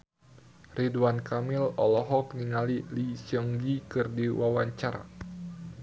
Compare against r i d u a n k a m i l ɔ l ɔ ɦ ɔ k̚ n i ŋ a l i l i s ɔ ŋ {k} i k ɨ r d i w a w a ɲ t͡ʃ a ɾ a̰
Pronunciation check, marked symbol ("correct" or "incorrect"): incorrect